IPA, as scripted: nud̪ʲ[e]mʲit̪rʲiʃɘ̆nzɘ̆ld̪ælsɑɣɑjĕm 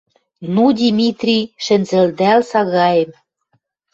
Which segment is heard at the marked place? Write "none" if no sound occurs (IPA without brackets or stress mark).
i